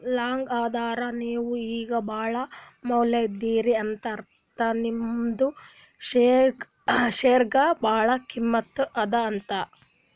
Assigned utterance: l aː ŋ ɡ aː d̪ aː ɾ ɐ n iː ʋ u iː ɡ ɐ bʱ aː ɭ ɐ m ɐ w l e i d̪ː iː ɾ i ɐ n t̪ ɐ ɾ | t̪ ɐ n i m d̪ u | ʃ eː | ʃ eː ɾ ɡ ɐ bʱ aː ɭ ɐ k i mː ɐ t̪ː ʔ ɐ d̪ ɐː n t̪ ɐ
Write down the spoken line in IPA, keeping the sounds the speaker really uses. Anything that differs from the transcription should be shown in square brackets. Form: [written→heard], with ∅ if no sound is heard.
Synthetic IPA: l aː ŋ ɡ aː d̪ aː ɾ ɐ n iː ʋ u iː ɡ ɐ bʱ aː ɭ ɐ m ɐ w l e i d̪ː iː ɾ i ɐ n t̪ ɐ ɾ | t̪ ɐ n i m d̪ u | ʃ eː | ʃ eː ɾ ɡ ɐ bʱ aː ɭ ɐ k i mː ɐ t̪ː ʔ ɐ d̪ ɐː n t̪ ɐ